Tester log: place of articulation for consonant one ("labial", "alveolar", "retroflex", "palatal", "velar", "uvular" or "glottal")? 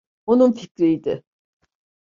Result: alveolar